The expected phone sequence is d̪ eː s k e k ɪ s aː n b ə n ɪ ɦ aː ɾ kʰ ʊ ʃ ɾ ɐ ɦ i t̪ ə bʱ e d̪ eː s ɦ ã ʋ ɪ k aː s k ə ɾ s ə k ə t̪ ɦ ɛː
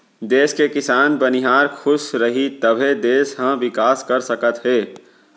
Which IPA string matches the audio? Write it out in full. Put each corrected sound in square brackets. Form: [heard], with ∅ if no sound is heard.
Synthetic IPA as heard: d̪ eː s k e k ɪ s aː n b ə n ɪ ɦ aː ɾ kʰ ʊ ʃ ɾ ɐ ɦ i t̪ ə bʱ e d̪ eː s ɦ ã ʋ ɪ k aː s k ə ɾ s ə k ə t̪ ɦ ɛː